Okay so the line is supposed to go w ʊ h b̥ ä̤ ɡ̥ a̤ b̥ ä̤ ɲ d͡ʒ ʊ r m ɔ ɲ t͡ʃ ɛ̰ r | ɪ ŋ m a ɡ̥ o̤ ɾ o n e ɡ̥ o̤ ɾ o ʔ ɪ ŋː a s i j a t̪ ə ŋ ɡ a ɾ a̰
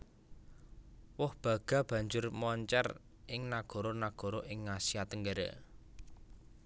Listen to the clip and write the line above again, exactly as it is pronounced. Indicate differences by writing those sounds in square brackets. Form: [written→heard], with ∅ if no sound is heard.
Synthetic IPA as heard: w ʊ h b̥ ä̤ ɡ̥ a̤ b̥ ä̤ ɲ d͡ʒ ʊ r m ɔ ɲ t͡ʃ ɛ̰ r | ɪ ŋ [m→n] a ɡ̥ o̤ ɾ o n [e→a] ɡ̥ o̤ ɾ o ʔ ɪ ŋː a s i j a t̪ ə ŋ ɡ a ɾ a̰